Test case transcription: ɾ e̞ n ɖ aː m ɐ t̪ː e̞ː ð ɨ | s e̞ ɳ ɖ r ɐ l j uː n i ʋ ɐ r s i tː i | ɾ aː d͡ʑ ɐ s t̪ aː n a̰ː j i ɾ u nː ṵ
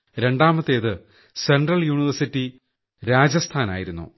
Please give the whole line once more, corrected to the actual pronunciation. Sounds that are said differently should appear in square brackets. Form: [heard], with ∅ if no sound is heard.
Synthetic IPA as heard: ɾ e̞ [ɳ] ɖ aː m ɐ t̪ː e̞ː ð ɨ | s e̞ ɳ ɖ r ɐ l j uː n i ʋ ɐ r s i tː i | ɾ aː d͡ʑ ɐ s [t̪ʰ] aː n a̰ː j i ɾ u nː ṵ